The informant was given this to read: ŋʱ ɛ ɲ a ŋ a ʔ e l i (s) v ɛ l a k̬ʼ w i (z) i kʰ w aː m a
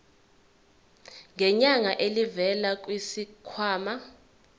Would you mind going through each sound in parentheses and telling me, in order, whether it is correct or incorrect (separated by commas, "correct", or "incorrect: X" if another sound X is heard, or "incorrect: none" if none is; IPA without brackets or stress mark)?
incorrect: none, incorrect: s